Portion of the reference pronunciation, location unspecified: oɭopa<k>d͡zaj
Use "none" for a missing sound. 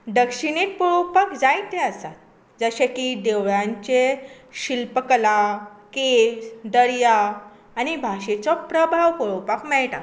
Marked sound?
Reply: k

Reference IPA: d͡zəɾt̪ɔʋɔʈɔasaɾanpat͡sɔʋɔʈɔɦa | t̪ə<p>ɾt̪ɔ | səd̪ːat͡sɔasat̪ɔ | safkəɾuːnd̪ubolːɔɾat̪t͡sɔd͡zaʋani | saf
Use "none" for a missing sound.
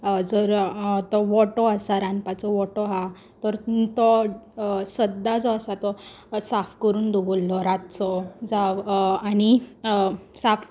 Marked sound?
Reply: none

